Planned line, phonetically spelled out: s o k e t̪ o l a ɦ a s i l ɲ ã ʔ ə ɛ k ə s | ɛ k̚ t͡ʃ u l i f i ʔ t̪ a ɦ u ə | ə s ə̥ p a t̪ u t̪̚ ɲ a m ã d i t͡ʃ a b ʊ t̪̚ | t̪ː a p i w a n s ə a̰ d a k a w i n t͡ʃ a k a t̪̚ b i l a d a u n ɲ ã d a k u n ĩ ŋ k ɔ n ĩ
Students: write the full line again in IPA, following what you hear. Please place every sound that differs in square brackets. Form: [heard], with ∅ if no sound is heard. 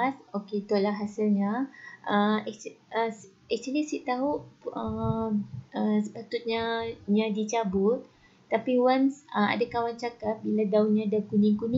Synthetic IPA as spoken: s o k e t̪ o l a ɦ a s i l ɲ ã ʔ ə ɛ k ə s | ɛ k̚ t͡ʃ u l i [s] i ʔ t̪ a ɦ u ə | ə s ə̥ p a t̪ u t̪̚ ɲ a [ɲ] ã d i t͡ʃ a b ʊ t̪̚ | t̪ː a p i w a n s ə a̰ d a k a w [a] n t͡ʃ a k a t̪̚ b i l a d a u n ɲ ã d a k u n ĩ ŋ k [u] n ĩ